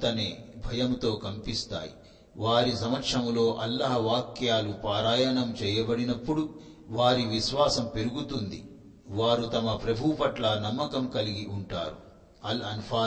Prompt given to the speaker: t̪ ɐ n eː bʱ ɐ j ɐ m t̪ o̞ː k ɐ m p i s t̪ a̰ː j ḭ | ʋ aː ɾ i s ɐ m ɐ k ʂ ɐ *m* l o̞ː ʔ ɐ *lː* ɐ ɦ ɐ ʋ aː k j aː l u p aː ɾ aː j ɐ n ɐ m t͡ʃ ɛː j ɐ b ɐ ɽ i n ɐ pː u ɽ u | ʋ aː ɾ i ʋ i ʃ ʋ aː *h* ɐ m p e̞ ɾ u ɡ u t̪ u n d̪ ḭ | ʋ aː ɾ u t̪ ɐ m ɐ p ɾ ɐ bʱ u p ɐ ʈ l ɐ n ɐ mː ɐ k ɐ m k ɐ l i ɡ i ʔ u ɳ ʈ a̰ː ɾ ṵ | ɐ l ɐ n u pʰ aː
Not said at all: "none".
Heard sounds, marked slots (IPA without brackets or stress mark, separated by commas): m, lː, s